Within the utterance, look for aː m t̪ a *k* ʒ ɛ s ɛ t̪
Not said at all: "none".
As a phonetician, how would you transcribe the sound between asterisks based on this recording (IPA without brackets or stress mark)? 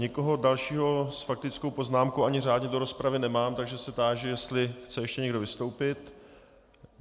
ɡ